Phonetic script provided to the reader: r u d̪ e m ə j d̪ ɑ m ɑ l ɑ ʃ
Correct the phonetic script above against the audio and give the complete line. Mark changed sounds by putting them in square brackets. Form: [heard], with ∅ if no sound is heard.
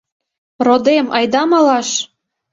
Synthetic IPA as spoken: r [o] d̪ e m [ɑ] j d̪ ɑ m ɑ l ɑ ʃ